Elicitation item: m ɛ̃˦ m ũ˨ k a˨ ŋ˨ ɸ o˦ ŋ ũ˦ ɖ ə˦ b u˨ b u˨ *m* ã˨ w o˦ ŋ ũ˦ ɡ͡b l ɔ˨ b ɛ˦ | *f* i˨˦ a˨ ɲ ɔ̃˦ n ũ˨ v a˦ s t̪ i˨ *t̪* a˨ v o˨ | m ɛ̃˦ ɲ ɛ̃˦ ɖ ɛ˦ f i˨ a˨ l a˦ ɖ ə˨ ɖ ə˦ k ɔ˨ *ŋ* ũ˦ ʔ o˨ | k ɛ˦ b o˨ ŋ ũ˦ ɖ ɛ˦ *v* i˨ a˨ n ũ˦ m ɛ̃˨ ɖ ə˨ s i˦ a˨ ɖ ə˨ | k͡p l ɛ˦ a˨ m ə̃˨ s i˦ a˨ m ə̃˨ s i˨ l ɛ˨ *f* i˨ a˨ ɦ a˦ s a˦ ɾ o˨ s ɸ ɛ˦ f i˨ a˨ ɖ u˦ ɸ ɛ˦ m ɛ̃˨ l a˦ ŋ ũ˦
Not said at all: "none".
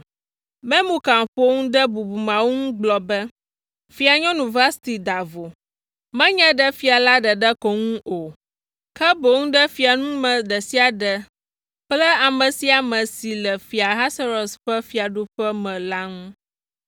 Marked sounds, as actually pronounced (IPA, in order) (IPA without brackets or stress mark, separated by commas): m, f, d̪, ŋ, f, f